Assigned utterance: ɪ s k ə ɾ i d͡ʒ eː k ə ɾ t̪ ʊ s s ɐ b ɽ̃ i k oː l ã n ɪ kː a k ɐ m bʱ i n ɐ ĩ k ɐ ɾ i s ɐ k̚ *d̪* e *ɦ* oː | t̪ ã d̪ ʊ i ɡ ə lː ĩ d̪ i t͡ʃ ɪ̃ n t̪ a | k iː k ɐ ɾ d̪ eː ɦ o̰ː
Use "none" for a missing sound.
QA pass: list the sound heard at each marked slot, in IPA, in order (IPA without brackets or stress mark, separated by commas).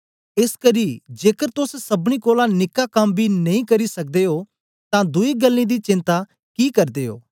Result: d̪, ɦ